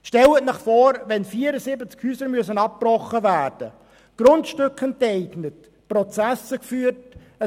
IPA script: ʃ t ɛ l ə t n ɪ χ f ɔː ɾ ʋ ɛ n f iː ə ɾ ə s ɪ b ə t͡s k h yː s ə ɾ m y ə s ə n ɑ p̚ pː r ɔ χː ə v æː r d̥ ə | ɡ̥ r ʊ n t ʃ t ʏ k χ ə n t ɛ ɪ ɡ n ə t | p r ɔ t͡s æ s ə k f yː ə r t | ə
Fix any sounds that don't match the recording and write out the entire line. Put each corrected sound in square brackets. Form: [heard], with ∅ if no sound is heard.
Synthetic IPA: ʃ t ɛ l ə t n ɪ χ f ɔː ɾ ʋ ɛ n f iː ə ɾ ə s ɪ b ə t͡s k h yː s ə ɾ m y ə s ə n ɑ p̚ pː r ɔ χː ə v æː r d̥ ə | ɡ̥ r ʊ n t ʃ t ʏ k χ ə n t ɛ ɪ ɡ n ə t | p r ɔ t͡s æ s ə k f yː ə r t | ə